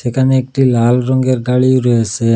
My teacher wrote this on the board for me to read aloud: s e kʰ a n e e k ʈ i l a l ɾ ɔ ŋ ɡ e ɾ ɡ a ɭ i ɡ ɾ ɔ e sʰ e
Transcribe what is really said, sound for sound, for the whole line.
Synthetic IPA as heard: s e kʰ a n e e k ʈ i l a l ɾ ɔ ŋ ɡ e ɾ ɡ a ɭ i ɾ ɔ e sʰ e